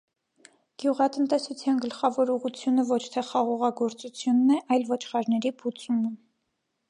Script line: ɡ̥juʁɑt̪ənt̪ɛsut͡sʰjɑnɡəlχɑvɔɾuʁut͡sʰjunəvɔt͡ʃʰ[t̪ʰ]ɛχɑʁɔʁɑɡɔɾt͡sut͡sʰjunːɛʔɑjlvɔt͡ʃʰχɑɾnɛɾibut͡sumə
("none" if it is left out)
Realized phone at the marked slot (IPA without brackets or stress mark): t̪ʰ